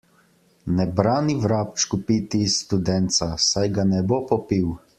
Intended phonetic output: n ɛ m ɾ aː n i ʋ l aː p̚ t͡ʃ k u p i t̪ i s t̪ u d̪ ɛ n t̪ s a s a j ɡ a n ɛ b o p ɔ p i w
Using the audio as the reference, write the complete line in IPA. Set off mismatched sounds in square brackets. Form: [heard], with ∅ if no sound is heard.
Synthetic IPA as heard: n ɛ [b] ɾ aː n i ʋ [ɾ] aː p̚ t͡ʃ k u p i t̪ i s t̪ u d̪ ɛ n t̪ s a s a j ɡ a n ɛ b o p ɔ p i w